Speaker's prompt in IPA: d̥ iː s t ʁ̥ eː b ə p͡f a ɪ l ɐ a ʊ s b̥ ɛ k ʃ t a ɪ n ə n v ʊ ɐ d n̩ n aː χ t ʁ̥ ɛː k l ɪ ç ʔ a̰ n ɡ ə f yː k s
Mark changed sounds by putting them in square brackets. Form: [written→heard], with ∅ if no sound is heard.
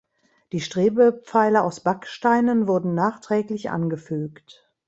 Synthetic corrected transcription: d̥ iː [s→ʃ] t ʁ̥ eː b ə p͡f a ɪ l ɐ a ʊ s b̥ [ɛ→a] k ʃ t a ɪ n ə n v ʊ ɐ d n̩ n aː χ t ʁ̥ ɛː k l ɪ ç ʔ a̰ n ɡ ə f yː k [s→t]